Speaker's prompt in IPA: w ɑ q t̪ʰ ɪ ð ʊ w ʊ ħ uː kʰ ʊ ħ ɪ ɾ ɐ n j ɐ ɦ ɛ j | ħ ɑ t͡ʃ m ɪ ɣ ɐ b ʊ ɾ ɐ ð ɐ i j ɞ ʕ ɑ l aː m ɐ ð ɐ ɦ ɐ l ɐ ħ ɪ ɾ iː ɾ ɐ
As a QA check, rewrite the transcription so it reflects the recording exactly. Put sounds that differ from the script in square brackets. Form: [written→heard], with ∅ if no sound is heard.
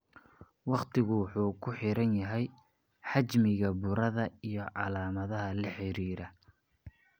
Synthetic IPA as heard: w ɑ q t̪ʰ ɪ [ð→ɣ] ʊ w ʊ ħ uː kʰ ʊ ħ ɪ ɾ ɐ n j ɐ ɦ ɛ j | ħ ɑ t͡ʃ m ɪ ɣ ɐ b ʊ ɾ ɐ ð ɐ i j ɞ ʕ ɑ l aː m ɐ ð ɐ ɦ ɐ l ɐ ħ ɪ ɾ iː ɾ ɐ